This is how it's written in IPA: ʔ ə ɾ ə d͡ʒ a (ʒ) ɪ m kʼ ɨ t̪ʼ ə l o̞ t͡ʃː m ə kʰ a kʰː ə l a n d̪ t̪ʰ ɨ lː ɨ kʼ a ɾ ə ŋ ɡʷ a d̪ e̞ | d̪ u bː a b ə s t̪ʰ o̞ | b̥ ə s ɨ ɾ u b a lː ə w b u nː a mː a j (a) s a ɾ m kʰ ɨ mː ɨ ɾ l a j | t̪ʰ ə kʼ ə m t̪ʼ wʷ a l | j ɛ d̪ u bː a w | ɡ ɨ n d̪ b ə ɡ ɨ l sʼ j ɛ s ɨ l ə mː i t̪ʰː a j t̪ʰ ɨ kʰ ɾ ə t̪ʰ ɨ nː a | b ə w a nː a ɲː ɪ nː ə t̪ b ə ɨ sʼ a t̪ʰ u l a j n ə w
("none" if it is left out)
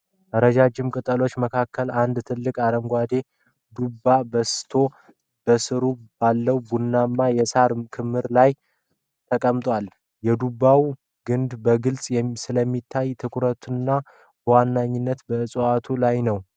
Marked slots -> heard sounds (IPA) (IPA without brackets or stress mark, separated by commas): d͡ʒ, ɛ